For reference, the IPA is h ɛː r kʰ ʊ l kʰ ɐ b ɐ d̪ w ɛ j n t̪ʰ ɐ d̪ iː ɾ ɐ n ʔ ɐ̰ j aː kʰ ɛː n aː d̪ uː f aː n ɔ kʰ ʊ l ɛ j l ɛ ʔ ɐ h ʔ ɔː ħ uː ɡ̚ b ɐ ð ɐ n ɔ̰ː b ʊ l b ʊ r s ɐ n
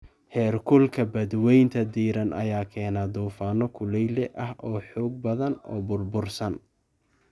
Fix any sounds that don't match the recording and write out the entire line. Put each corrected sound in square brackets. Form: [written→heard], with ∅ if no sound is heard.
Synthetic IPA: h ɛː r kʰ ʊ l kʰ ɐ b ɐ d̪ w ɛ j n t̪ʰ ɐ d̪ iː ɾ ɐ n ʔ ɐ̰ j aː kʰ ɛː n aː d̪ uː f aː n ɔ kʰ ʊ l ɛ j l ɛ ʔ ɐ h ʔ ɔː ħ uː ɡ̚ b ɐ ð ɐ n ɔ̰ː b ʊ [l→r] b ʊ r s ɐ n